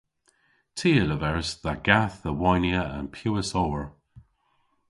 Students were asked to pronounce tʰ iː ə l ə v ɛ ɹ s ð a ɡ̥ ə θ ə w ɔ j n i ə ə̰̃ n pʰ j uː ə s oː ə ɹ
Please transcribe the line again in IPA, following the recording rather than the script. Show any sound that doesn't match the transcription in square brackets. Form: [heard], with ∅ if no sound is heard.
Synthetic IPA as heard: tʰ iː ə l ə v ɛ ɹ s ð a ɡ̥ [a] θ ə w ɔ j n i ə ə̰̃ n pʰ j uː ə s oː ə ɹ